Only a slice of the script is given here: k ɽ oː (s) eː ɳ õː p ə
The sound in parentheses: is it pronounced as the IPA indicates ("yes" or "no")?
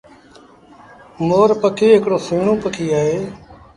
yes